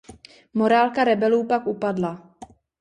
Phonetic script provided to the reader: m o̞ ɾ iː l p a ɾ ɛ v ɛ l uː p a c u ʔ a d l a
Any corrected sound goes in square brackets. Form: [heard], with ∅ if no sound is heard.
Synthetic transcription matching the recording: m o̞ ɾ [aː] l [k] a ɾ ɛ [b] ɛ l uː p a [k] u [p] a d l a